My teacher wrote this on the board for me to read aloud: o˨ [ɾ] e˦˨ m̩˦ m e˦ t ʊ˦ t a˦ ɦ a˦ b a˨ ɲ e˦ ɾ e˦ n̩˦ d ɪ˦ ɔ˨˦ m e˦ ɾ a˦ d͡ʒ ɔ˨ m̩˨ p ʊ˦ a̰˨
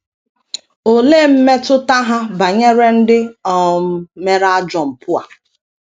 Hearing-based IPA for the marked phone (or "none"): l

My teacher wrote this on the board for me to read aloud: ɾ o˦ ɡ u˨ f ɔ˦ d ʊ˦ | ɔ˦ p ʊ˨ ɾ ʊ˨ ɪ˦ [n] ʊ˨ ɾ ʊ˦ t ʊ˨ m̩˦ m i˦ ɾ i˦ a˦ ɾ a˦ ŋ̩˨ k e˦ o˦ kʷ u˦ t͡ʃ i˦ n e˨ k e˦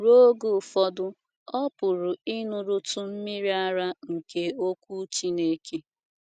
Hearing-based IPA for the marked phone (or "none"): n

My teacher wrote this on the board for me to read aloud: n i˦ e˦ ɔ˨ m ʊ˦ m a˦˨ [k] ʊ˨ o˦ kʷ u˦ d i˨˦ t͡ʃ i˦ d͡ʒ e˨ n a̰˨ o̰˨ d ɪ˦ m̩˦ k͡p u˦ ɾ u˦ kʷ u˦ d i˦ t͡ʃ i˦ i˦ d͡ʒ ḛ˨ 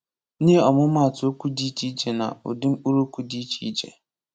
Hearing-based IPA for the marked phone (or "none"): t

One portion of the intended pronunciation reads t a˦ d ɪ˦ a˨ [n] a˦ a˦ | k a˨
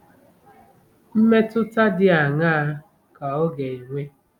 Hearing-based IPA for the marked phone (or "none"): ŋ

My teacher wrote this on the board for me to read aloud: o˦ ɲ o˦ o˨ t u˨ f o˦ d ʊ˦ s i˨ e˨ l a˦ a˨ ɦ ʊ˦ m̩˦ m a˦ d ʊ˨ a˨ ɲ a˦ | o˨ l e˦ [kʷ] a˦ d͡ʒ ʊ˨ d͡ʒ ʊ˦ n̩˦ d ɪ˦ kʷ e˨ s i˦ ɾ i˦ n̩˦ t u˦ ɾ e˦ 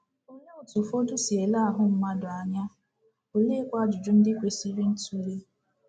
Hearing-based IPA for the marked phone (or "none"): kʷ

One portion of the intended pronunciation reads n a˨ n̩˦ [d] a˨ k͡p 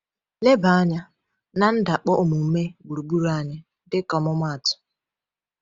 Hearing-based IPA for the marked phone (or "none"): d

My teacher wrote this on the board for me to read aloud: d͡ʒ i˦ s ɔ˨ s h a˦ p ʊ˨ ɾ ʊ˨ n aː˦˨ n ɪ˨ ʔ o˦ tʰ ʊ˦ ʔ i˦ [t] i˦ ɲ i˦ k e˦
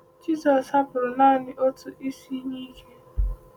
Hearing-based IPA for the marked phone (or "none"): s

